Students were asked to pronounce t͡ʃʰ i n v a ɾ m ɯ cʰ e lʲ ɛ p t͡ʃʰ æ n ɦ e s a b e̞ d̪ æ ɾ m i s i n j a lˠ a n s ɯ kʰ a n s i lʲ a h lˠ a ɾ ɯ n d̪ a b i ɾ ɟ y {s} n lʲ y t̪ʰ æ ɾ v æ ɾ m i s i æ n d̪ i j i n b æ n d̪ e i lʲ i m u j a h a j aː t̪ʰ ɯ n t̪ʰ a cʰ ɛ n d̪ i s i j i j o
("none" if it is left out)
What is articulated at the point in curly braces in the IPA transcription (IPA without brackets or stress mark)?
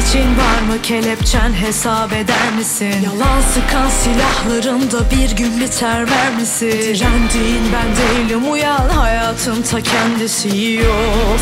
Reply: none